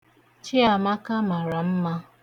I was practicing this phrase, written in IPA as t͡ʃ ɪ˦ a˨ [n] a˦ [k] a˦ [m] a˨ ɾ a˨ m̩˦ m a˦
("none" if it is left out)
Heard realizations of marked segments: m, k, m

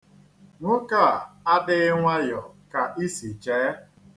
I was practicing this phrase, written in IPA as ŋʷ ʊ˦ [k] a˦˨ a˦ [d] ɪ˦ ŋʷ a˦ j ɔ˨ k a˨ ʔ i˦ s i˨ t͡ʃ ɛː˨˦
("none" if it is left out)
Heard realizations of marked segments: k, d

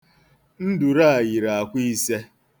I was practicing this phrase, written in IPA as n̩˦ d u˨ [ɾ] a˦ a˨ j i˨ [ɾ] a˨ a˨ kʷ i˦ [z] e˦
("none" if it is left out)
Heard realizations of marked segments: ɾ, ɾ, s

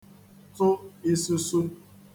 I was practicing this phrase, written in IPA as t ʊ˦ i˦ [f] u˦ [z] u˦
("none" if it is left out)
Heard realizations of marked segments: s, s

